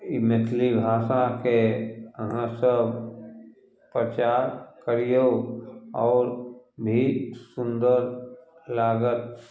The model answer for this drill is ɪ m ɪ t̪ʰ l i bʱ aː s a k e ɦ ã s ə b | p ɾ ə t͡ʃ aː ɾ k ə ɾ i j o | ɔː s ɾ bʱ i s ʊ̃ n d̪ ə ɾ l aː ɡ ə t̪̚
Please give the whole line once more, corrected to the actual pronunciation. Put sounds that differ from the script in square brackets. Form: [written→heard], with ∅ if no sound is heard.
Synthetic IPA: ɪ m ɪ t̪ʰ l i bʱ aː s a k e ɦ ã s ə b | p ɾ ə t͡ʃ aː ɾ k ə ɾ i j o | ɔː [s→∅] ɾ bʱ i s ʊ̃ n d̪ ə ɾ l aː ɡ ə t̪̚